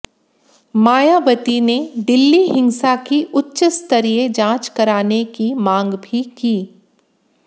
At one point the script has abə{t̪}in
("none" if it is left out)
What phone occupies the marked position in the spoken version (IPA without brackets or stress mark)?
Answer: t̪